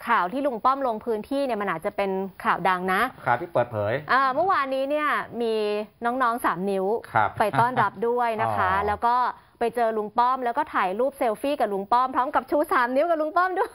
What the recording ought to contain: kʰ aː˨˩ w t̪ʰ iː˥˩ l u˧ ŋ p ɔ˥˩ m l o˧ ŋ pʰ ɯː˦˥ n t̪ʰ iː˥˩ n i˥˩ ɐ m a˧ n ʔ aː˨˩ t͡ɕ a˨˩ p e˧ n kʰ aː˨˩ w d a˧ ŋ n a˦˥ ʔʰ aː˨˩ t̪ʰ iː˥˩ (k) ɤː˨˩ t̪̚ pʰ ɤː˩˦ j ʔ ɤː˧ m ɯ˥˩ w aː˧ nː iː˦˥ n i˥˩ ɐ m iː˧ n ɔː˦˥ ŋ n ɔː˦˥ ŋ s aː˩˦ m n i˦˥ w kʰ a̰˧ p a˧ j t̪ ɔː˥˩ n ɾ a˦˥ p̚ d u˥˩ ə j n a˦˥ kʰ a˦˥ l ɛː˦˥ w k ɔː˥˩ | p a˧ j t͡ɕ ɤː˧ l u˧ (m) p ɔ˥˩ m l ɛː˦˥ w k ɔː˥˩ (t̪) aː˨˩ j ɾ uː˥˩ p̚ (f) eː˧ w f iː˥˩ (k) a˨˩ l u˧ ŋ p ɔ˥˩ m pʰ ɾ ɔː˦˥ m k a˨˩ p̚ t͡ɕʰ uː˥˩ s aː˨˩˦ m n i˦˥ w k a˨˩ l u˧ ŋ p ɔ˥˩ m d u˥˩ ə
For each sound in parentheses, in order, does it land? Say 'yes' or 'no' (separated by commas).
no, no, no, no, yes